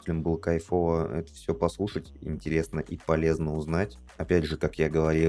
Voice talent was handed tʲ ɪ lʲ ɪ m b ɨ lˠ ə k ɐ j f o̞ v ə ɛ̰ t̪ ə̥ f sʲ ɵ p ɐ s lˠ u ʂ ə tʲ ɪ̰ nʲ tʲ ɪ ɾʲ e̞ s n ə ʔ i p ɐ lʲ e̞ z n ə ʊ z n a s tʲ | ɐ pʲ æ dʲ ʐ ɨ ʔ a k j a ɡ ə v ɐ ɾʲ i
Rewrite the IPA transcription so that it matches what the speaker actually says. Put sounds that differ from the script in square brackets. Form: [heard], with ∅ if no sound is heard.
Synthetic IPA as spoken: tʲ ɪ lʲ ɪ m b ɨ lˠ ə k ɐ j f o̞ v ə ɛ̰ t̪ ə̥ f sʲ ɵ p ɐ s lˠ u ʂ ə tʲ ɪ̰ nʲ tʲ ɪ ɾʲ e̞ s n ə ʔ i p ɐ lʲ e̞ z n ə ʊ z n a [∅] tʲ | ɐ pʲ æ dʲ ʐ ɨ [k] a k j a ɡ ə v ɐ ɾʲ i